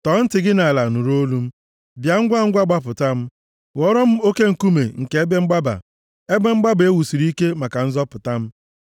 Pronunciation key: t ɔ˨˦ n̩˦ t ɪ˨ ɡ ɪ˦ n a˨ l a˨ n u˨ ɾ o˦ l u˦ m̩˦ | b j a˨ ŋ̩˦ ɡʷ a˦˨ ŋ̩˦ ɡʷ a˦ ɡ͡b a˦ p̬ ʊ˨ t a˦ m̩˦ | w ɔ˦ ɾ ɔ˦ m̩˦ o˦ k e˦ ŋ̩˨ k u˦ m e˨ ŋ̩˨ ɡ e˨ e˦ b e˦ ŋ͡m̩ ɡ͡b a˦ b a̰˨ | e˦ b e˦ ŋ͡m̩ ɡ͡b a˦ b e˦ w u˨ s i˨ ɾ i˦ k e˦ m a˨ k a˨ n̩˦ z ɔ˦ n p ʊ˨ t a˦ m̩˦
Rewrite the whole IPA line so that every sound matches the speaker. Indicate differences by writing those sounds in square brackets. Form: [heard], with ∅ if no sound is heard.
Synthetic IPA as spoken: t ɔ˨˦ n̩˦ t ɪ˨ ɡ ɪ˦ n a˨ l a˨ n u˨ ɾ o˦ l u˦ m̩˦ | b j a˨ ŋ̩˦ ɡʷ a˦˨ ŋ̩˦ ɡʷ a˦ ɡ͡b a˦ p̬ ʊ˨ t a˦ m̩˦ | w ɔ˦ ɾ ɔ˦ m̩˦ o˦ k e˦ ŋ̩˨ k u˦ m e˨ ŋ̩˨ [k] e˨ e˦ b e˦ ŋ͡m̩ ɡ͡b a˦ b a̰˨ | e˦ b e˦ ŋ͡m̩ ɡ͡b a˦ b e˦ w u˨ s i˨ ɾ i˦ k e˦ m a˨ k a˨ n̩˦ z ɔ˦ [∅] p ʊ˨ t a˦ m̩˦